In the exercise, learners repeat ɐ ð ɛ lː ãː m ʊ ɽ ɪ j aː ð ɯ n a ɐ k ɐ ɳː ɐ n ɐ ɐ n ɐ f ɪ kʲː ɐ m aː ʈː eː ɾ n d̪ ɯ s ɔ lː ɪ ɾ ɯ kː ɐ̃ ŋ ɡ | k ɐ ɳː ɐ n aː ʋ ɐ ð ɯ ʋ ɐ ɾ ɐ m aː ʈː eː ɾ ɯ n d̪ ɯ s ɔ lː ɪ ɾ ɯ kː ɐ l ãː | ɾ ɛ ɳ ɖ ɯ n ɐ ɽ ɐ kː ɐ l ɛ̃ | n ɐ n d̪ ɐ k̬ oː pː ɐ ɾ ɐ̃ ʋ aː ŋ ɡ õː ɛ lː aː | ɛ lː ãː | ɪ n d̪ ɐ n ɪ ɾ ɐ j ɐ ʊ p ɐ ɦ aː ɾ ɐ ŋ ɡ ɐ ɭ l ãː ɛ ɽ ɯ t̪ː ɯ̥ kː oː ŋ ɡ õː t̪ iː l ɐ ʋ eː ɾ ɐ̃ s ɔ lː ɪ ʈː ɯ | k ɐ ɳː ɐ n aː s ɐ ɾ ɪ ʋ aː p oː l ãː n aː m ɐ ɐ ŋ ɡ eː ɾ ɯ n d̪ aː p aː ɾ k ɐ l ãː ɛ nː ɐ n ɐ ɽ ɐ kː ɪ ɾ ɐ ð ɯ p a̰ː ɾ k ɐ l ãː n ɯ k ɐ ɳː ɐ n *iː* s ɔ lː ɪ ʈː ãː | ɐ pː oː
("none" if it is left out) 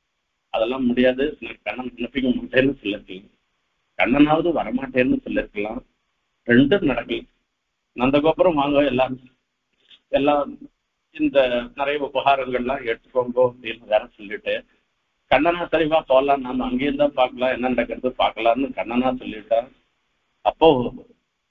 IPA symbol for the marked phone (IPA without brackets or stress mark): aː